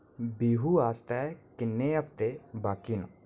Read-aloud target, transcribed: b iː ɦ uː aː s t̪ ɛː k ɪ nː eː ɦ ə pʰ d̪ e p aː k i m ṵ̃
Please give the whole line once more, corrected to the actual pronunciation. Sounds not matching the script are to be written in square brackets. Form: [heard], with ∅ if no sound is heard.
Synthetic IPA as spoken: b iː ɦ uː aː s t̪ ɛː k ɪ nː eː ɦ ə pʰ [t̪] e [b] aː k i [n] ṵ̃